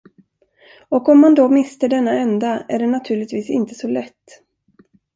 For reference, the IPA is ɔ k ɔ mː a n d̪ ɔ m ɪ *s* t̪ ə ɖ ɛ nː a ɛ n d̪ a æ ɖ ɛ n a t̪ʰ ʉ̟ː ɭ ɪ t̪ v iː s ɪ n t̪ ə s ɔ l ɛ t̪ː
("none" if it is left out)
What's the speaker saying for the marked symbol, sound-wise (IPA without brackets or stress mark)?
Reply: s